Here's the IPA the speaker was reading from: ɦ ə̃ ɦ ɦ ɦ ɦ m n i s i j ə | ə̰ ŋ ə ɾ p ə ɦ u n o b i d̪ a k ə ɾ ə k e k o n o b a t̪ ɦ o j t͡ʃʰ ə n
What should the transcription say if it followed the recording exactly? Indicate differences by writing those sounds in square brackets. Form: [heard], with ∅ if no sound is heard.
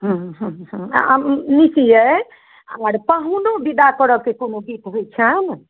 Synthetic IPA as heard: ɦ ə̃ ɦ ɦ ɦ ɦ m n i s i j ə | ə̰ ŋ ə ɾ p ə ɦ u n o b i d̪ a k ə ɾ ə k e k o n o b [i] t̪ ɦ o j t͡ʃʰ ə n